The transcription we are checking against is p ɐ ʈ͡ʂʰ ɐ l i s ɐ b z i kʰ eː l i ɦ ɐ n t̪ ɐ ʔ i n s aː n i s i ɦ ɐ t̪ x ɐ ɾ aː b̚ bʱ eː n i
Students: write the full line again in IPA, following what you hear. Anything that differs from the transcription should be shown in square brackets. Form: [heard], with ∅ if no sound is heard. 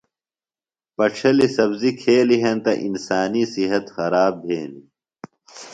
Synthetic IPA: p ɐ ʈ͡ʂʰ ɐ l i s ɐ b z i kʰ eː l i ɦ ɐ n t̪ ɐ ʔ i n s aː n i s i ɦ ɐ t̪ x ɐ ɾ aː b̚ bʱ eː n i